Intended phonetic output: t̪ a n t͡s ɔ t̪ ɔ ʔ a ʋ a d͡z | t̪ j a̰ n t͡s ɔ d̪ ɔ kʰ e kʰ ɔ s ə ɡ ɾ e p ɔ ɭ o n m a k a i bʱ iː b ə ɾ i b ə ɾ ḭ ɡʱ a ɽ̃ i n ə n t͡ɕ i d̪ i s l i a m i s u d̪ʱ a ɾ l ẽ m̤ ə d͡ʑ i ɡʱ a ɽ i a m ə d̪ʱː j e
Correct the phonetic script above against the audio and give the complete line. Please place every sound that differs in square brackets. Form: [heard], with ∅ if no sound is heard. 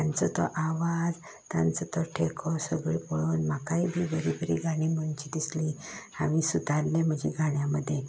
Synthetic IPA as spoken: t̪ a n t͡s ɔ t̪ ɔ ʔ a ʋ a d͡z | t̪ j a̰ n t͡s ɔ [t̪] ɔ [ʈʰ] e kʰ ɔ s ə ɡ [ɭ] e p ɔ ɭ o n m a k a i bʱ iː b ə ɾ i b ə ɾ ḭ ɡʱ a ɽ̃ i [m] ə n t͡ɕ i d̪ i s l i a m i s u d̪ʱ a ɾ l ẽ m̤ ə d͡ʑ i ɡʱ a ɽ [j] a m ə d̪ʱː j e